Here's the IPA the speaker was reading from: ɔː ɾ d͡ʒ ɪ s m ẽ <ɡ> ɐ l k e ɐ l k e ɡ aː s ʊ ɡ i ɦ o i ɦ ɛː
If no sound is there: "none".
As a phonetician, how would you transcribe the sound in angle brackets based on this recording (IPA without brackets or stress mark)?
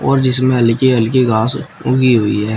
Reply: none